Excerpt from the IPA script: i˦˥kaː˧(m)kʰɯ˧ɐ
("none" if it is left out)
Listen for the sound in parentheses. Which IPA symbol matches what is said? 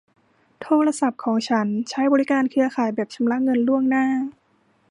n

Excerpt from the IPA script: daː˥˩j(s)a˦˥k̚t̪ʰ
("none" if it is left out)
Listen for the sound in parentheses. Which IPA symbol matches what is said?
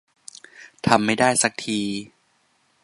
s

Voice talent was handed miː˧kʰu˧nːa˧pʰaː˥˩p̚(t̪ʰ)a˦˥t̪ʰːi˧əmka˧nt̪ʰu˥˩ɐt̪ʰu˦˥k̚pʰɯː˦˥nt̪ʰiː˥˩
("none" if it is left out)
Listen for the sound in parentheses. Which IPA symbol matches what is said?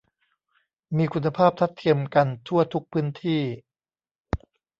t̪ʰ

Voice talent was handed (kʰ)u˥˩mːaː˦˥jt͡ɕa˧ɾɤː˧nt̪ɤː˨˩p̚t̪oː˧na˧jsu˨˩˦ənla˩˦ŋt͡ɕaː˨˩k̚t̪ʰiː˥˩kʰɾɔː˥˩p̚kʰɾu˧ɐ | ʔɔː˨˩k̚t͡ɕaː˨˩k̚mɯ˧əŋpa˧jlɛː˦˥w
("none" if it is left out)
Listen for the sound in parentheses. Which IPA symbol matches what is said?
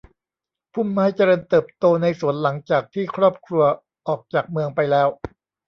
pʰ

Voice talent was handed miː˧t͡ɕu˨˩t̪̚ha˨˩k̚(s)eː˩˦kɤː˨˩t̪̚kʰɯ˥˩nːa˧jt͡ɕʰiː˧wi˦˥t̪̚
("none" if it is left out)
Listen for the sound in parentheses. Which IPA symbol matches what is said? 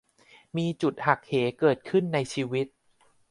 h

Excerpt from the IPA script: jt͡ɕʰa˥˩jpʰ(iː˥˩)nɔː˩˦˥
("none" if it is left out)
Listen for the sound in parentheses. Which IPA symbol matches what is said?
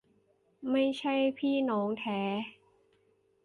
iː˥˩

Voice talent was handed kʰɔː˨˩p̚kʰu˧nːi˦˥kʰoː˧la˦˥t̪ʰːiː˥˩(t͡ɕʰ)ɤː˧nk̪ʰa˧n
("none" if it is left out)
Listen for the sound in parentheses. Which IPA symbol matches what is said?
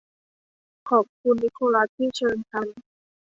t͡ɕʰ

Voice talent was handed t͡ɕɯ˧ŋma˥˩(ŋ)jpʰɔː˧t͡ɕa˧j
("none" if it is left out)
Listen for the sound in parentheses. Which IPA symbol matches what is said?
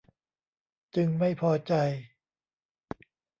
none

